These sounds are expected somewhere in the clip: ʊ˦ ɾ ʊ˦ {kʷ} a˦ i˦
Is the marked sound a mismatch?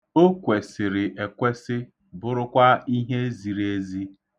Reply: no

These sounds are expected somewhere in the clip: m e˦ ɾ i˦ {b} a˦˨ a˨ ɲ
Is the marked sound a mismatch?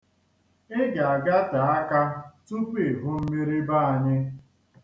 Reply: no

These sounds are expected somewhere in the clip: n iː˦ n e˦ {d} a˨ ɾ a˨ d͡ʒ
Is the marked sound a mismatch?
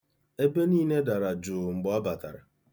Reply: no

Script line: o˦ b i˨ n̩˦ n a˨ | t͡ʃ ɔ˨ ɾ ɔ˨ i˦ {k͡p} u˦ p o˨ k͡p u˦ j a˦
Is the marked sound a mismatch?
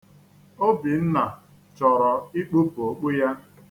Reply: no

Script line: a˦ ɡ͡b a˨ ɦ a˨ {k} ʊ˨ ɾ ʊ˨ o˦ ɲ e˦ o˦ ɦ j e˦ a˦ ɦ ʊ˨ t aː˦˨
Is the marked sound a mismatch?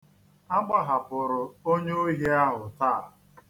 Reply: yes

